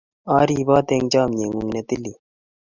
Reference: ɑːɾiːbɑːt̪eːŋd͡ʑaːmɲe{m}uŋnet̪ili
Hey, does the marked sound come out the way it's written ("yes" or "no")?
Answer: no